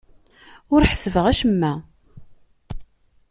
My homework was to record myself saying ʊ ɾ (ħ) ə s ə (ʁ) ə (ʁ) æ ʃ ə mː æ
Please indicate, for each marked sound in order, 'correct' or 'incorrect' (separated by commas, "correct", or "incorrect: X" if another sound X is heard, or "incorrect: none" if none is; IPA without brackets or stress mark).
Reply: correct, incorrect: v, correct